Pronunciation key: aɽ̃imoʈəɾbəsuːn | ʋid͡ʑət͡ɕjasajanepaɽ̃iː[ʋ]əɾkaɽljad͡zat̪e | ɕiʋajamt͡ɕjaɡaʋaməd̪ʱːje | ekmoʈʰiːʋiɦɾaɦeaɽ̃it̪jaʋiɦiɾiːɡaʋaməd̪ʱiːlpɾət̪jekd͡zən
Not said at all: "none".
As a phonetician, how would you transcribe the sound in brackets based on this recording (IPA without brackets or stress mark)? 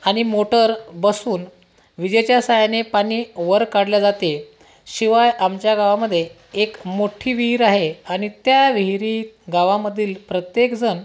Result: ʋ